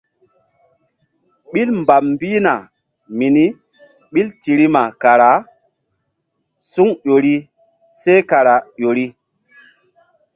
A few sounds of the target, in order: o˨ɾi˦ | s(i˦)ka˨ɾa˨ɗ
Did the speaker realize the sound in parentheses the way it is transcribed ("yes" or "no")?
no